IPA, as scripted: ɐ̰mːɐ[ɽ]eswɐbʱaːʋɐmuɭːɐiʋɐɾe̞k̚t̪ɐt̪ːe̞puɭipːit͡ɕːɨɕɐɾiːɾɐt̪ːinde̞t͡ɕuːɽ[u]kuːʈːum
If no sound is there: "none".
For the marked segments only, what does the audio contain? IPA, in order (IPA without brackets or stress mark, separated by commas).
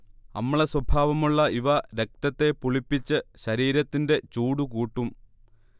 ɭ, u